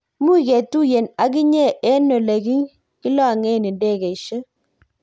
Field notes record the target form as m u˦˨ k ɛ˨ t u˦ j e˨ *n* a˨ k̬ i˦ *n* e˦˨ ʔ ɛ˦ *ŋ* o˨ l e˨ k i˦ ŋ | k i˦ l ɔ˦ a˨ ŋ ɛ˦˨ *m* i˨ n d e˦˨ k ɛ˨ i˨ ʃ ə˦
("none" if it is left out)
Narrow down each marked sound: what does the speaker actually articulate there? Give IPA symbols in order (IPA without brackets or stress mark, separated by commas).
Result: n, ɲ, n, n